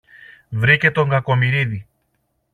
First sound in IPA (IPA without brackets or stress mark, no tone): v